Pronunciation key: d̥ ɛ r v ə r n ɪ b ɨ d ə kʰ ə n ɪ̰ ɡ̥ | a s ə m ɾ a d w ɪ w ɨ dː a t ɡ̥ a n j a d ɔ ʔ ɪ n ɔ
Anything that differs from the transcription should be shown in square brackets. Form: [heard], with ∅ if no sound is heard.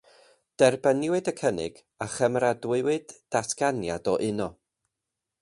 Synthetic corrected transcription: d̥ ɛ r [b] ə [∅] n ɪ [w] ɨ d ə kʰ ə n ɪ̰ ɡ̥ | a [χ] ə m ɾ a d w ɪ w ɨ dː a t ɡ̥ a n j a d ɔ ʔ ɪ n ɔ

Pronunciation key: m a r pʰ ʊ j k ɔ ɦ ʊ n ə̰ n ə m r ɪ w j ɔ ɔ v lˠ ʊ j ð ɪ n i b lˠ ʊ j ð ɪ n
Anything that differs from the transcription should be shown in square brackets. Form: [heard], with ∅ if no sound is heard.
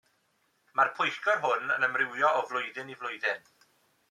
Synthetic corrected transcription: m a r pʰ ʊ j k ɔ ɦ ʊ n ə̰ n ə m r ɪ w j ɔ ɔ v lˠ ʊ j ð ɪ n i [v] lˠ ʊ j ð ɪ n

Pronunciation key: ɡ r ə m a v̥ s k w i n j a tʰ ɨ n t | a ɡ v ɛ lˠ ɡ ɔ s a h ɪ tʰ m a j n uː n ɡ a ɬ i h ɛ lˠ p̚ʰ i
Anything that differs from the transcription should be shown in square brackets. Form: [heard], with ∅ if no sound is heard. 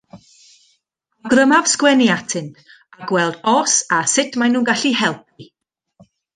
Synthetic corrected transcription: ɡ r ə m a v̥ s k w [ɛ] n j a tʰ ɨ n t | a ɡ [w] ɛ lˠ [d] ɔ s a [s] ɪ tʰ m a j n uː n ɡ a ɬ i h ɛ lˠ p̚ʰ i

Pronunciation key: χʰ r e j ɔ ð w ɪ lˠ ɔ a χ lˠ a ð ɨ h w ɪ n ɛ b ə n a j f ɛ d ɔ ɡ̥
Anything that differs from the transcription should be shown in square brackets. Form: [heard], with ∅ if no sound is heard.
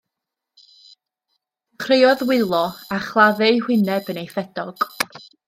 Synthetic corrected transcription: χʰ r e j ɔ ð w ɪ lˠ ɔ a χ lˠ a ð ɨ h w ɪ n ɛ b ə n [e] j f ɛ d ɔ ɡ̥

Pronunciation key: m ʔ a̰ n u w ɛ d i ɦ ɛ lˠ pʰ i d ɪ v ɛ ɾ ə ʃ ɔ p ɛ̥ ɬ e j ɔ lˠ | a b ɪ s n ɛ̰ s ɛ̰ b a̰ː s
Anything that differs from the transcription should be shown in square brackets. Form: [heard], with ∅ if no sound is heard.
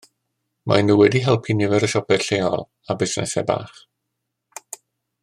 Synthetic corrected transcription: m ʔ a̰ n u w ɛ d i ɦ ɛ lˠ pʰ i [n] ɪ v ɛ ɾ ə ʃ ɔ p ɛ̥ ɬ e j ɔ lˠ | a b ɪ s n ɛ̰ s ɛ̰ b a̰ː [χ]

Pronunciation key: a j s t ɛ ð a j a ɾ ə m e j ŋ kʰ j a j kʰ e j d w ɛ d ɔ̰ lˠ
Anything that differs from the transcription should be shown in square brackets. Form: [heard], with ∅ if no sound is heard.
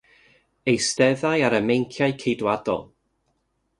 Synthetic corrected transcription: [e] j s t ɛ ð a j a ɾ ə m e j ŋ kʰ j a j kʰ e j d w [a] d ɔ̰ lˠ

